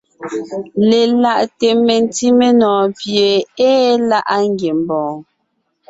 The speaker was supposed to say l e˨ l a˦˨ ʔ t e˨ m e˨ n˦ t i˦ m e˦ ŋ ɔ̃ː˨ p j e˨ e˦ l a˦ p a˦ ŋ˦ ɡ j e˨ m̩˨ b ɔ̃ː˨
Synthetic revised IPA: l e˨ l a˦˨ ʔ t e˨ m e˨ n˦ t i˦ m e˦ n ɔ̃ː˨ p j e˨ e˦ l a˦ ʔ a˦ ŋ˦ ɡ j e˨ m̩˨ b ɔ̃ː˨

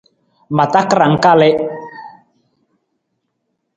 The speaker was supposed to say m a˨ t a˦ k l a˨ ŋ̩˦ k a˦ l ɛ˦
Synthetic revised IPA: m a˨ t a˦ k ɾ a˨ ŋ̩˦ k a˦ l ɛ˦

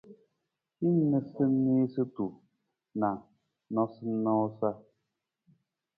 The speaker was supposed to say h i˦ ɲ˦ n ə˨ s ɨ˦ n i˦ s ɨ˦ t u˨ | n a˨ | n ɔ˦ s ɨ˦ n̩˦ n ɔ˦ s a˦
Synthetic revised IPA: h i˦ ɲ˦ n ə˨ s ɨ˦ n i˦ s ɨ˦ t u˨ | n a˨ | n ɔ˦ s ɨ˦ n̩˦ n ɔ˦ s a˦

